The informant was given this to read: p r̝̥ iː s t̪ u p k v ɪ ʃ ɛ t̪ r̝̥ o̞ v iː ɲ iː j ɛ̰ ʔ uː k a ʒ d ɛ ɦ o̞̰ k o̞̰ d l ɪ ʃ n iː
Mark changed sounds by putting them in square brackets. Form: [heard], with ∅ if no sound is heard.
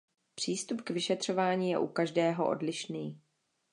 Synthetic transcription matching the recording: p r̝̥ iː s t̪ u p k v ɪ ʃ ɛ t̪ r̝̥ o̞ v [aː] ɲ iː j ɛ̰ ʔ [u] k a ʒ d [ɛː] ɦ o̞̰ [ʔ] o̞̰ d l ɪ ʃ n iː

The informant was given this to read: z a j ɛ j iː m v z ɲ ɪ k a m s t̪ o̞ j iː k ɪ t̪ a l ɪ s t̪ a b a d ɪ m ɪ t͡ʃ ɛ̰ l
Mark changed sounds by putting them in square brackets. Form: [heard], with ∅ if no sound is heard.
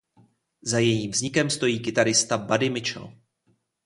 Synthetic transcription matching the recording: z a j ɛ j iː m v z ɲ ɪ k [ɛ] m s t̪ o̞ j iː k ɪ t̪ a [ɾ] ɪ s t̪ a b a d ɪ m ɪ t͡ʃ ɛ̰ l

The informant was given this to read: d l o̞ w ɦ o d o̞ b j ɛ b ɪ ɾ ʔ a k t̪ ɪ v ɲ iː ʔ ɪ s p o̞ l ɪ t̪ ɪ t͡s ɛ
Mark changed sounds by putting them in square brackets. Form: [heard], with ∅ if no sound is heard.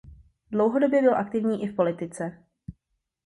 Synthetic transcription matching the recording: d l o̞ w ɦ o d o̞ b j ɛ b ɪ [l] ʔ a k t̪ ɪ v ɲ iː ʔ ɪ [f] p o̞ l ɪ t̪ ɪ t͡s ɛ

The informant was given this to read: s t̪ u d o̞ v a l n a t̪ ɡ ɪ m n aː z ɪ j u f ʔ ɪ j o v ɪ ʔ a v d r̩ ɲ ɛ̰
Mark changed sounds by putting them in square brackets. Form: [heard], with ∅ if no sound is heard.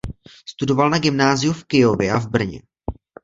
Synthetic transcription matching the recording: s t̪ u d o̞ v a l n a [∅] ɡ ɪ m n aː z ɪ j u f [k] ɪ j o v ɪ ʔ a v [b] r̩ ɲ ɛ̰

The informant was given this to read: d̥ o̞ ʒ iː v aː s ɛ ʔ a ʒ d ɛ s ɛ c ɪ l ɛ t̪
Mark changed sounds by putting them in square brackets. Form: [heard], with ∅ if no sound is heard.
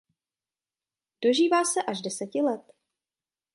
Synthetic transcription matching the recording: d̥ o̞ ʒ iː v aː s ɛ ʔ a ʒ d ɛ s ɛ c ɪ l ɛ t̪

